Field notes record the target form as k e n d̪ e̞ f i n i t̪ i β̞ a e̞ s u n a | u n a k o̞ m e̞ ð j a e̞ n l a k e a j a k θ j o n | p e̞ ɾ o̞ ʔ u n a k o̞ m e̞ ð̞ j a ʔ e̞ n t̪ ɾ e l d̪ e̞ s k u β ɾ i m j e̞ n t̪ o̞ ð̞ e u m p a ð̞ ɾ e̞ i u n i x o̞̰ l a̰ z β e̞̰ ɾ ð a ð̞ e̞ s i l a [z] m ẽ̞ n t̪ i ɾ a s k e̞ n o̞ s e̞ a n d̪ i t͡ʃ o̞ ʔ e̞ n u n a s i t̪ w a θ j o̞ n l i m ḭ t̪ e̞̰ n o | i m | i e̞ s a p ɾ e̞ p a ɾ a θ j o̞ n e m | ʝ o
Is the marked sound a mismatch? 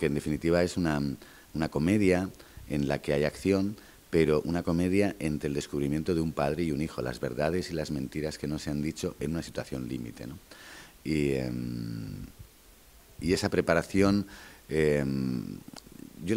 no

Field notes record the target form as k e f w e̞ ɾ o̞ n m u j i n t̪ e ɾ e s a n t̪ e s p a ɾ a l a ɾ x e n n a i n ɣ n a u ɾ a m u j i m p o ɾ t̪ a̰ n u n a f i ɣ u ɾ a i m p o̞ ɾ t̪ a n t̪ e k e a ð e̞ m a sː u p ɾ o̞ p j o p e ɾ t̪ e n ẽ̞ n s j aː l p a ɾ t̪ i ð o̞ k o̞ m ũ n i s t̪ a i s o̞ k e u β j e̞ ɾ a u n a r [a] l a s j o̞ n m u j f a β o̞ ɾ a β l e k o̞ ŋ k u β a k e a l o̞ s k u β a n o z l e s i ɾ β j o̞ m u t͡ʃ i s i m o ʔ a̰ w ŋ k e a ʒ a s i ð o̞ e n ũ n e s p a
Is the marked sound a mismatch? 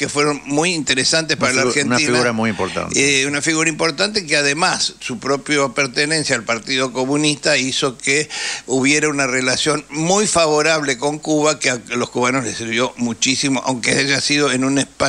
yes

